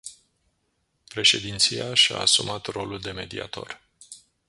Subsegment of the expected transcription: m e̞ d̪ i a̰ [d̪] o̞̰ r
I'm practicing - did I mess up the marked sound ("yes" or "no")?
yes